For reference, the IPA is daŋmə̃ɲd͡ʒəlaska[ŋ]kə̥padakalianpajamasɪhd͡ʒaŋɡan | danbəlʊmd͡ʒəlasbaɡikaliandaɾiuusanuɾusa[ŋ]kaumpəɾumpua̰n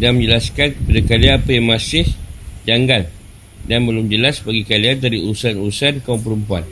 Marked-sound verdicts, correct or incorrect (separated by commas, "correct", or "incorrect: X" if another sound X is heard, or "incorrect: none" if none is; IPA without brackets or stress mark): incorrect: n, incorrect: n